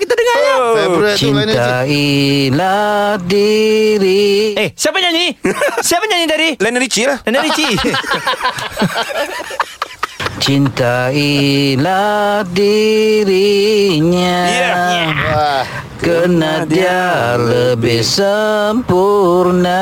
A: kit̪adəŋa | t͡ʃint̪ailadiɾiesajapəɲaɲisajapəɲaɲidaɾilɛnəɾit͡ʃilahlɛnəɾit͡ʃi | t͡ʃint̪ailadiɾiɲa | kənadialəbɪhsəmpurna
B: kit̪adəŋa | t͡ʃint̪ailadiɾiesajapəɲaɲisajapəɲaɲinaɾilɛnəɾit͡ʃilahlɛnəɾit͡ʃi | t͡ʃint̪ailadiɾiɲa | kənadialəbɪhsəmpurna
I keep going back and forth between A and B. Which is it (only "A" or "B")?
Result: A